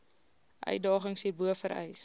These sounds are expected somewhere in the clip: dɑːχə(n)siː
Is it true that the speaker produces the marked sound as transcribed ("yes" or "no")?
no